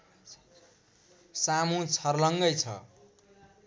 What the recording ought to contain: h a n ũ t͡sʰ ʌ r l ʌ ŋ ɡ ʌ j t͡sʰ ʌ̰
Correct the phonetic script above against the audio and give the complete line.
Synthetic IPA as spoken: s a m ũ t͡sʰ ʌ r l ʌ ŋ ɡ ʌ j t͡sʰ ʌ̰